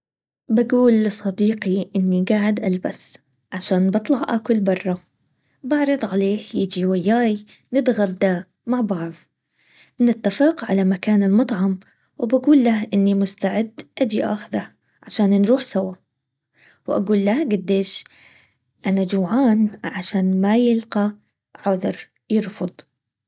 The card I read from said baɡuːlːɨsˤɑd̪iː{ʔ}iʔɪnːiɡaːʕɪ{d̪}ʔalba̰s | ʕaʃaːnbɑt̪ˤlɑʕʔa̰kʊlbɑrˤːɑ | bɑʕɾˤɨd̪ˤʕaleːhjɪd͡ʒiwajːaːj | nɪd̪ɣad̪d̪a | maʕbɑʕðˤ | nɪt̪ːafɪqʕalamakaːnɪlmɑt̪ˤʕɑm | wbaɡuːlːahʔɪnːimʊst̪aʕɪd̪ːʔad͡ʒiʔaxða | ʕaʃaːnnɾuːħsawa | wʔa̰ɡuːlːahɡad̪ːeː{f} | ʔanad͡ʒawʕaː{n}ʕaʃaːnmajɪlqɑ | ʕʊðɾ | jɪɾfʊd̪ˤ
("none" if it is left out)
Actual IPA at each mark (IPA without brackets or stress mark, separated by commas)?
q, d̪, ʃ, n